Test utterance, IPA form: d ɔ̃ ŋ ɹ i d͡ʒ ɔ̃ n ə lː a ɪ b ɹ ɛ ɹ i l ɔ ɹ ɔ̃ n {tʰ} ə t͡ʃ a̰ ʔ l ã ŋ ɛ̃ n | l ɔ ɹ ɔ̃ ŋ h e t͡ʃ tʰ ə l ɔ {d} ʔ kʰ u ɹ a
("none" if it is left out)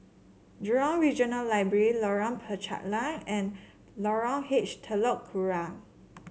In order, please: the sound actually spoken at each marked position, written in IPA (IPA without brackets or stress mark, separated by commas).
pʰ, none